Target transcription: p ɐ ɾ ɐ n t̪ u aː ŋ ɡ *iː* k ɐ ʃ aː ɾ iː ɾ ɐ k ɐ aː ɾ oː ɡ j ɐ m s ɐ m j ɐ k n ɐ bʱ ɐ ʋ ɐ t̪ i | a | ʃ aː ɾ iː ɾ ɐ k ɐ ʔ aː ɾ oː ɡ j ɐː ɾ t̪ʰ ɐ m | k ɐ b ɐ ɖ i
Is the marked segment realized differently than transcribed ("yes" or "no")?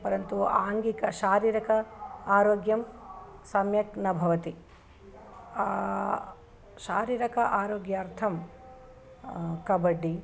yes